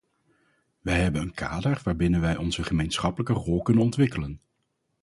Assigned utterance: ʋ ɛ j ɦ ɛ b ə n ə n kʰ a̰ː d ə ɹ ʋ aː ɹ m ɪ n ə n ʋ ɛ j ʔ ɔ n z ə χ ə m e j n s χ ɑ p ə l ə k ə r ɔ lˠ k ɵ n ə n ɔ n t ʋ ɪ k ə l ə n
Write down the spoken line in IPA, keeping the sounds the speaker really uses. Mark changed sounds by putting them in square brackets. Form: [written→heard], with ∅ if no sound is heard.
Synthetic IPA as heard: ʋ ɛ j ɦ ɛ b ə n ə n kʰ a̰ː d ə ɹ ʋ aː ɹ [m→b] ɪ n ə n ʋ ɛ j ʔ ɔ n z ə χ ə m e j n s χ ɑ p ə l ə k ə r ɔ lˠ k ɵ n ə n ɔ n t ʋ ɪ k ə l ə n